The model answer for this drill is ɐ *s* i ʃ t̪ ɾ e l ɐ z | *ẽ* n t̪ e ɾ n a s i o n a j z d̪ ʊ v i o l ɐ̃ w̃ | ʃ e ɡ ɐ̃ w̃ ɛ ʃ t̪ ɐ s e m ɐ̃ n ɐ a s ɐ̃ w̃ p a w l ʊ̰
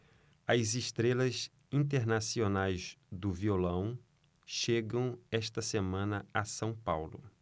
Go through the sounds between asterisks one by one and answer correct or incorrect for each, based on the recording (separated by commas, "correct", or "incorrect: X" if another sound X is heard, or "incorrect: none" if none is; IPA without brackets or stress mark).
incorrect: z, incorrect: ĩ